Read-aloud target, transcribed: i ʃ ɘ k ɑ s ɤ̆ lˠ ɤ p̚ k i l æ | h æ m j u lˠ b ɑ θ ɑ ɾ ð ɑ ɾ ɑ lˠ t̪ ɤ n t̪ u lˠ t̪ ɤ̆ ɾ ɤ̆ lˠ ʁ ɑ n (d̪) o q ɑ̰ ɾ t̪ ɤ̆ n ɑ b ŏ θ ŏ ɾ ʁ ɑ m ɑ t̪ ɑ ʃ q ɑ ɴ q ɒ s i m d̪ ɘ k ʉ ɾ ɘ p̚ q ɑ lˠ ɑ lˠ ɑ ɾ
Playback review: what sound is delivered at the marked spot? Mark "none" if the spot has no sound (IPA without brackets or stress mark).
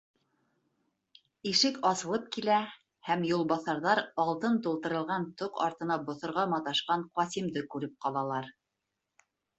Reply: t̪